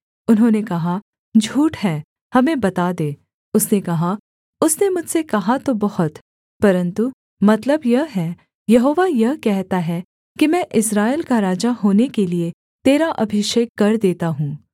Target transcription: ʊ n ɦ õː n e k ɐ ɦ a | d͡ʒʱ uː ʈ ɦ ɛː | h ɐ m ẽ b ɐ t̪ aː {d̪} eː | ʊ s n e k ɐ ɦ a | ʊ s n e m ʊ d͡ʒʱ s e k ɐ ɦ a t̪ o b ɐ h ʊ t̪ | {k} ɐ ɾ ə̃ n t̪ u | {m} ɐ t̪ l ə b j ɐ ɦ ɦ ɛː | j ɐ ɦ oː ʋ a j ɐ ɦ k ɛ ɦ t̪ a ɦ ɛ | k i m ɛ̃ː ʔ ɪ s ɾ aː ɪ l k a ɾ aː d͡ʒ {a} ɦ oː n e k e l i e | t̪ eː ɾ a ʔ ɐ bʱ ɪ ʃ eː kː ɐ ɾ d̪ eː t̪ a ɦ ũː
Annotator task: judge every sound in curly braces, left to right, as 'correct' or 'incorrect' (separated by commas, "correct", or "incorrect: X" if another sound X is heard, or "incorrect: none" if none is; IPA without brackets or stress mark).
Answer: correct, incorrect: p, correct, correct